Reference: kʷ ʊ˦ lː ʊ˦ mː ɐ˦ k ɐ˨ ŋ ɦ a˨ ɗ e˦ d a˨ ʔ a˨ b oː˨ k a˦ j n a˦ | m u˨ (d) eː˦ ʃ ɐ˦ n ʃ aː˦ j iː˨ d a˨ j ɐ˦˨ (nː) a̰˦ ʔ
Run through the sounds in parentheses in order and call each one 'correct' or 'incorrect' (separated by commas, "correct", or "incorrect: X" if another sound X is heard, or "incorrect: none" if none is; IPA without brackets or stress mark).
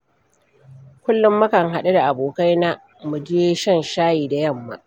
incorrect: d͡ʒ, incorrect: mː